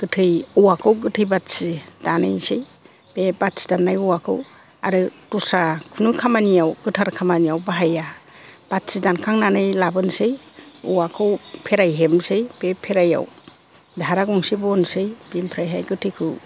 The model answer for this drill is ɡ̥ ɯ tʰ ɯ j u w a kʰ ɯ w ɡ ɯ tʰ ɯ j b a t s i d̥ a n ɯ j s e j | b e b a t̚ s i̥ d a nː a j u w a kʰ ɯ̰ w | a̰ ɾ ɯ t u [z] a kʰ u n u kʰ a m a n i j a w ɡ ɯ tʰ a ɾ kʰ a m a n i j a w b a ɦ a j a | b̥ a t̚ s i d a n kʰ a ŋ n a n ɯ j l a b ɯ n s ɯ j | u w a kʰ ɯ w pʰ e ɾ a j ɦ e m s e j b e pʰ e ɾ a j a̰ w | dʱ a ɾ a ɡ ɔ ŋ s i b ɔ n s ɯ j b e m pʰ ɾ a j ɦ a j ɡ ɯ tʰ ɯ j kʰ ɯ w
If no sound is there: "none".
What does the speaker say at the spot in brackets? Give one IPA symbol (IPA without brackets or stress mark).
s